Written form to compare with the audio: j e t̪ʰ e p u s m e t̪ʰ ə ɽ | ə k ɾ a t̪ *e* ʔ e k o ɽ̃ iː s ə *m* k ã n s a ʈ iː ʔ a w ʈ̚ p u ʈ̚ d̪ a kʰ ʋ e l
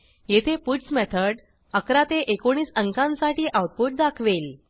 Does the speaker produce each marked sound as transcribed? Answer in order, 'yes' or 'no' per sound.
yes, no

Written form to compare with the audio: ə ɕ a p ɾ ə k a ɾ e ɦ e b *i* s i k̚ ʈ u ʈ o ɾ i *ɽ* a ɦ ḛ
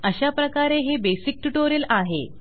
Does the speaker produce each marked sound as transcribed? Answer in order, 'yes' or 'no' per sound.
no, no

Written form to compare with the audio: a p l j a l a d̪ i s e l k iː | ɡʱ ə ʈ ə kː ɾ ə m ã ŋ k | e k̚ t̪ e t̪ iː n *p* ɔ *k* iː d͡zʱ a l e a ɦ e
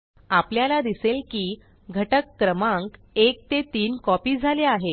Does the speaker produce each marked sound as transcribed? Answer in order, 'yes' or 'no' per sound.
no, no

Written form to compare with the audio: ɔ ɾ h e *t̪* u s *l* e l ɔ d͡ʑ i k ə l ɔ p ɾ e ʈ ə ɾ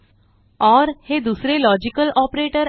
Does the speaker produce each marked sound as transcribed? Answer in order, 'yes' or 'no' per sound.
no, no

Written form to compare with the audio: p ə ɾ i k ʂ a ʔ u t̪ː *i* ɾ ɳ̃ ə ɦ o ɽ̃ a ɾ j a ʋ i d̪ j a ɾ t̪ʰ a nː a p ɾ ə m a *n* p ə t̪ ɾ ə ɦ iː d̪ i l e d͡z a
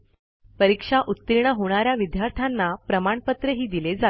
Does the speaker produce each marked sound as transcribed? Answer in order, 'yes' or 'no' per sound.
yes, no

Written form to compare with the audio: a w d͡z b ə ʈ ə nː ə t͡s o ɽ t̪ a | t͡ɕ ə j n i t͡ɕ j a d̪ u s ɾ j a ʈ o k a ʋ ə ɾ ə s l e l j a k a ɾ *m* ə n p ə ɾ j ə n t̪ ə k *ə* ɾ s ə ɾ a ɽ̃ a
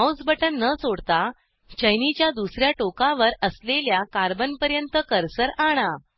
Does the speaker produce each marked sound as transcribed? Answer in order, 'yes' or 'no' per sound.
no, yes

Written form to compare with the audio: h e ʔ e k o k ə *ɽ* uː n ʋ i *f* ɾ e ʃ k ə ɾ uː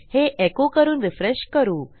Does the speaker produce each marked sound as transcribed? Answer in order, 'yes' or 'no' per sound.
no, yes

